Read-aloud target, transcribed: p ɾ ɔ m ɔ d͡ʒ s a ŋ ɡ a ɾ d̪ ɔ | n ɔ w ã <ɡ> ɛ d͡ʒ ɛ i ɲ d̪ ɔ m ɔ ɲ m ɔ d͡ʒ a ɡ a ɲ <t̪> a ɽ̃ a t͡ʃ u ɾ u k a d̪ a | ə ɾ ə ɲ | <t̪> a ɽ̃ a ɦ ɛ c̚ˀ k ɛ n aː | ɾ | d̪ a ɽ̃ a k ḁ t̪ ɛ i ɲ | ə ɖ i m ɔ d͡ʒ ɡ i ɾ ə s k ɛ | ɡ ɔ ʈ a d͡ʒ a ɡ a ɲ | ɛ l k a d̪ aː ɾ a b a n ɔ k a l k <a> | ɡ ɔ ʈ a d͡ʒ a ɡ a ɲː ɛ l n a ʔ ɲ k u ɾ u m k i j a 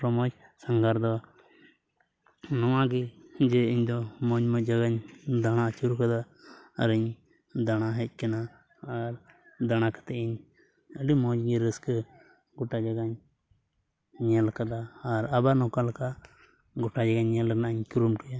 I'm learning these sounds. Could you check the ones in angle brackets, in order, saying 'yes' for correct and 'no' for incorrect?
yes, no, no, yes

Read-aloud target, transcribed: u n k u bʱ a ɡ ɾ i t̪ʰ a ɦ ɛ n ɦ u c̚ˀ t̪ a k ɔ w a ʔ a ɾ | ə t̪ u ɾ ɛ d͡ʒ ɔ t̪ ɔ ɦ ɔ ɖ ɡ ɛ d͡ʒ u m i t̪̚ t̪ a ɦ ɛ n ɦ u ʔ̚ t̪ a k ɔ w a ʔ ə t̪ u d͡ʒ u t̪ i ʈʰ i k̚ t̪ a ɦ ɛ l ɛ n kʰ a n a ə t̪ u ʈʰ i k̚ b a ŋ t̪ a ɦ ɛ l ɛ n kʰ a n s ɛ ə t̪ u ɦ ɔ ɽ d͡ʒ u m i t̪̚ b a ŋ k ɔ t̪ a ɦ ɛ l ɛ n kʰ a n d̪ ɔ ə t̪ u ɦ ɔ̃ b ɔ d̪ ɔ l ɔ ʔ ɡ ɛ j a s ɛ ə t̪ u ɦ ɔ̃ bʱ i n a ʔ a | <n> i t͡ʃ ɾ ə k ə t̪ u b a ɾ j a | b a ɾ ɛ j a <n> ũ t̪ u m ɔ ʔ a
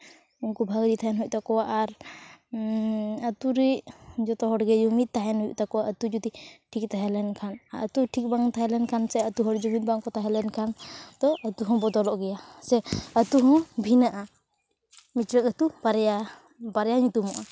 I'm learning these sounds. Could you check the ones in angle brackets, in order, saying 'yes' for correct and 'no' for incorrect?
no, no

